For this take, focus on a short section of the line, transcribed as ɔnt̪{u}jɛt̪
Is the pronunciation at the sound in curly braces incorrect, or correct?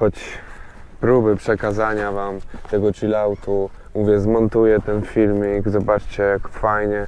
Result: correct